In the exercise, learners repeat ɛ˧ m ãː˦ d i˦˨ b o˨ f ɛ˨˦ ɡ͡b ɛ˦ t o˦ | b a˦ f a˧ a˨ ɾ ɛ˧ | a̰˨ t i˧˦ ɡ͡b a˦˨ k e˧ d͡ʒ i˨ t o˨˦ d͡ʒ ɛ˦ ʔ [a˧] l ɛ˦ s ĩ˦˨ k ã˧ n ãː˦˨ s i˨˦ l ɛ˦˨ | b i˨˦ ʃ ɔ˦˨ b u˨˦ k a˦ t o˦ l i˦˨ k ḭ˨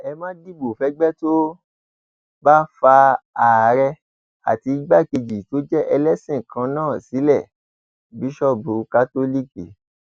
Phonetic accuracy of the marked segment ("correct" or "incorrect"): incorrect